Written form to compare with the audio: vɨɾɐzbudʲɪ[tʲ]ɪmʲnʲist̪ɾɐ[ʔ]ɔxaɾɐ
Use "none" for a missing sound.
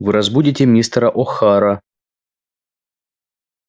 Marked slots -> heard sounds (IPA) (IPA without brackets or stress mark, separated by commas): tʲ, ʔ